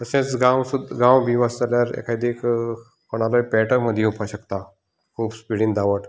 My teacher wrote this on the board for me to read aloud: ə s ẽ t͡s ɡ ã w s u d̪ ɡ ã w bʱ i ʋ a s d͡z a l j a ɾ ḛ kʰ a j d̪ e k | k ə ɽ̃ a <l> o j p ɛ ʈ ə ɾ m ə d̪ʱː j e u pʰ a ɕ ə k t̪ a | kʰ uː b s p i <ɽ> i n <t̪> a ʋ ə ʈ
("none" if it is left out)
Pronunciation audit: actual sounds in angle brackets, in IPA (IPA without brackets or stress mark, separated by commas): l, ɽ, d̪